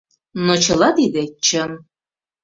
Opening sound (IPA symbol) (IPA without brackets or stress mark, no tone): n